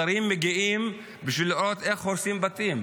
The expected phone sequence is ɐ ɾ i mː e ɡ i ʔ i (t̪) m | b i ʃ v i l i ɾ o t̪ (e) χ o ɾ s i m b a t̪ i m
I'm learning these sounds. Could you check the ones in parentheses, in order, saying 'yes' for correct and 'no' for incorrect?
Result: no, yes

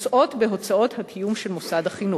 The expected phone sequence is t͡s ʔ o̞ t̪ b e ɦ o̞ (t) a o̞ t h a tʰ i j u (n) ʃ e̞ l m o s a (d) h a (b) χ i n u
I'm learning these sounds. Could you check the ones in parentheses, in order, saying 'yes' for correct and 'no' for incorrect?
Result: no, no, yes, no

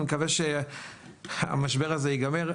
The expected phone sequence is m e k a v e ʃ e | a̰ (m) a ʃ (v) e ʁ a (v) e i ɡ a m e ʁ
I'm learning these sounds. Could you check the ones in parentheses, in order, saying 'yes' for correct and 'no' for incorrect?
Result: yes, no, no

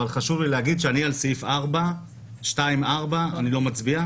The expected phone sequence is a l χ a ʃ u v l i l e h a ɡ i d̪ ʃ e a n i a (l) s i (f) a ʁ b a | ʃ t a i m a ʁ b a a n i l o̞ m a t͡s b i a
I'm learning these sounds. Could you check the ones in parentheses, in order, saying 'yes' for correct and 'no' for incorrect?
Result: yes, yes

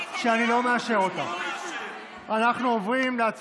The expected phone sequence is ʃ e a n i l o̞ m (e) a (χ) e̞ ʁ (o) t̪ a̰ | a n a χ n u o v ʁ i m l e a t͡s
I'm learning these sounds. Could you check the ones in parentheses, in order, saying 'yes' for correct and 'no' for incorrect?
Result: yes, no, yes

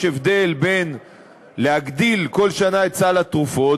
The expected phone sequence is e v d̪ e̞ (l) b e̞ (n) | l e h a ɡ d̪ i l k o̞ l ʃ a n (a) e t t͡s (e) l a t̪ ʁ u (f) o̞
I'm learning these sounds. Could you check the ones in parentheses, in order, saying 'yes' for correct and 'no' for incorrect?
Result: yes, yes, yes, no, yes

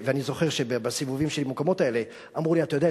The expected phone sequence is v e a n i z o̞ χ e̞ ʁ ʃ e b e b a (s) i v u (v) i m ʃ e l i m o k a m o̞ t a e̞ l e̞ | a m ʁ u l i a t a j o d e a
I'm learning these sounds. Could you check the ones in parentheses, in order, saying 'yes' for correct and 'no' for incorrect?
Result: yes, yes

